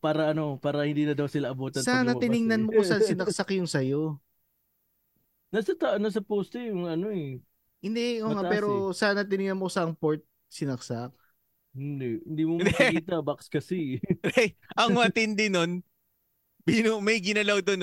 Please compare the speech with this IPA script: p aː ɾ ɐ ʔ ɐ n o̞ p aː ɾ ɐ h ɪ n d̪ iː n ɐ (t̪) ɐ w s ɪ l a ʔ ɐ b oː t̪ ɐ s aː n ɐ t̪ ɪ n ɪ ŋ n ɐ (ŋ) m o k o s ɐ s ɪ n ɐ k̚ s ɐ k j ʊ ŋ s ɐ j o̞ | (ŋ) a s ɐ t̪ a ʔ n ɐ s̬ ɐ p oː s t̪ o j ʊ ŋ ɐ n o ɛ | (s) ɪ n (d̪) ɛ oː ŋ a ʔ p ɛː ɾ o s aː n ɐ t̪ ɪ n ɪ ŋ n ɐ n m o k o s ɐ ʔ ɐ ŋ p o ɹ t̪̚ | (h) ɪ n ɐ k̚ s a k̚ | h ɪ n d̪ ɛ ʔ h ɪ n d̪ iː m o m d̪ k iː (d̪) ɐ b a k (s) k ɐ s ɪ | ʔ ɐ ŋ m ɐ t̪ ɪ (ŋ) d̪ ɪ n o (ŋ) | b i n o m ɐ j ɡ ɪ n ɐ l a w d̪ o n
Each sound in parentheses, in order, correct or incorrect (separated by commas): incorrect, incorrect, incorrect, incorrect, correct, incorrect, incorrect, correct, incorrect, incorrect